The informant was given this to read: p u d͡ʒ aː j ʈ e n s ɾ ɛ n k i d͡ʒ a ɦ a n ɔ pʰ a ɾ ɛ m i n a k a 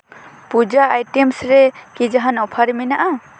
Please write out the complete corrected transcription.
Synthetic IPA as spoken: p u d͡ʒ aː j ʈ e m s ɾ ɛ k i d͡ʒ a ɦ a n ɔ pʰ a ɾ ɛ m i n a ʔ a